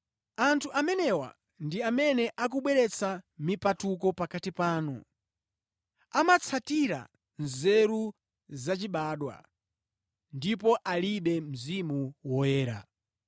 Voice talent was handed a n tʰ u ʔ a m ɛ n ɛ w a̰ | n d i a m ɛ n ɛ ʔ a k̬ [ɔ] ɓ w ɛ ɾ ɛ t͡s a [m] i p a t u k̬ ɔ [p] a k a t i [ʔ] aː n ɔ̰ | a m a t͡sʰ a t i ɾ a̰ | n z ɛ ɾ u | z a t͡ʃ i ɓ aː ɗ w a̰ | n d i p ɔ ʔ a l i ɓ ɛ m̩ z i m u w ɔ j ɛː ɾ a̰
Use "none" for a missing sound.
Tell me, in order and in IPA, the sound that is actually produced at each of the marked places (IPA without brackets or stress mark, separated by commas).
u, m, p, p